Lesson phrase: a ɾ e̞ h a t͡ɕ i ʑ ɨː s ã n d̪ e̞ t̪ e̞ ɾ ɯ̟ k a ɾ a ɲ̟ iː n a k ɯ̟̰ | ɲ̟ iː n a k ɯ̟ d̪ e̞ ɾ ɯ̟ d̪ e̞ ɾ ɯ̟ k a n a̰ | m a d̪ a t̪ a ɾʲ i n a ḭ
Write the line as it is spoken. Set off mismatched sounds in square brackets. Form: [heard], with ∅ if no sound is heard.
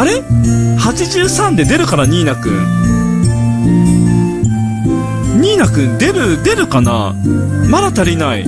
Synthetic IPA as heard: a ɾ e̞ h a t͡ɕ i ʑ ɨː s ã n d̪ e̞ [d̪] e̞ ɾ ɯ̟ k a ɾ a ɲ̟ iː n a k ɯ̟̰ | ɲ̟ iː n a k ɯ̟ d̪ e̞ ɾ ɯ̟ d̪ e̞ ɾ ɯ̟ k a n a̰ | m a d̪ a t̪ a ɾʲ i n a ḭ